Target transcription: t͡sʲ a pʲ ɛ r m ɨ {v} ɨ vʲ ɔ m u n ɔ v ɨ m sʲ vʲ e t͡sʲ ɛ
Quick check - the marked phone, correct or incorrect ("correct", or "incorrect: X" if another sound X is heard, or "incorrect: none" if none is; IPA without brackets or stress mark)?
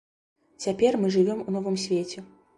incorrect: ʐ